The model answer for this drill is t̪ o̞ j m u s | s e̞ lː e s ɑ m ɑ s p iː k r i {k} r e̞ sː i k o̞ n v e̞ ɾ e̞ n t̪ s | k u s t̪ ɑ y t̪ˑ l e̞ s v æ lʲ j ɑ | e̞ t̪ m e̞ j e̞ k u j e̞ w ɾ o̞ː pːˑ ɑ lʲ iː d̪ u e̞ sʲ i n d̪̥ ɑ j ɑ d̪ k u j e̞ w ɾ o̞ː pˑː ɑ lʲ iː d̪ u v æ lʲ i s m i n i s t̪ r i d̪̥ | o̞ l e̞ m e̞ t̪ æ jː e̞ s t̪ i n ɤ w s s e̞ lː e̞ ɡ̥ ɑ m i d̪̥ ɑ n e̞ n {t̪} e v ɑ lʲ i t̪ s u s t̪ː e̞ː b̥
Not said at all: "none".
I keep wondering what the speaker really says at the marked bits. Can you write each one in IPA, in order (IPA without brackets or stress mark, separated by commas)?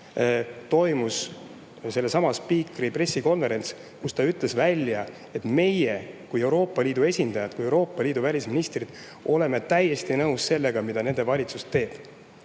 p, d̪